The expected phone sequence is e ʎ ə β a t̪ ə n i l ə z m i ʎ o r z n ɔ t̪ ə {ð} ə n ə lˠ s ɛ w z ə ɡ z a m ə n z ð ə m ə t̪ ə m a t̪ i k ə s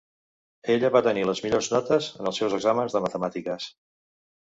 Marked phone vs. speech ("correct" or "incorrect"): incorrect